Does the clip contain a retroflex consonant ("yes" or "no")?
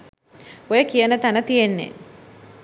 no